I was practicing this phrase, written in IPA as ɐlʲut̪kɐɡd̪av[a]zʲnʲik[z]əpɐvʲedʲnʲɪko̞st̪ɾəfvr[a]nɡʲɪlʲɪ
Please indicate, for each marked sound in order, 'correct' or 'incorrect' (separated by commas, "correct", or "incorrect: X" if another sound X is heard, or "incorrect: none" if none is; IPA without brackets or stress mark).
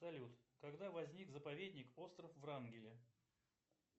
incorrect: ɐ, correct, correct